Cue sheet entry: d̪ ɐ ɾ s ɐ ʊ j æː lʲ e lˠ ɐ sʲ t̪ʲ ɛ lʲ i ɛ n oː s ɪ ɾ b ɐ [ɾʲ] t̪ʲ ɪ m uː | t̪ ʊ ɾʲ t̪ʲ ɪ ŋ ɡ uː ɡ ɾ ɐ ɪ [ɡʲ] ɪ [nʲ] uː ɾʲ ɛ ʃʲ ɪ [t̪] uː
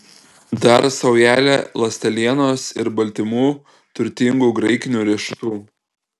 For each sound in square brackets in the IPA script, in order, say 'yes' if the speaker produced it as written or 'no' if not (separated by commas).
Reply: no, no, yes, yes